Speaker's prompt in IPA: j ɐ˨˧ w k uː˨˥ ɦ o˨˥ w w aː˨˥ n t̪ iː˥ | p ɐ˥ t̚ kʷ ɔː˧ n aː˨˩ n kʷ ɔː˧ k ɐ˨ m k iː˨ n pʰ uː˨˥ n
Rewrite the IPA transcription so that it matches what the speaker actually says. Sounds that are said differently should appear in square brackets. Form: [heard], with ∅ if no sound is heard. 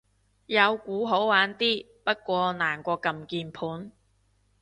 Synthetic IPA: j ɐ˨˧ w k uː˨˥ ɦ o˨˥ w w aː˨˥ n t̪ iː˥ | p ɐ˥ t̚ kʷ ɔː˧ n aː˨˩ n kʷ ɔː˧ k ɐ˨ m k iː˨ n pʰ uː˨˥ n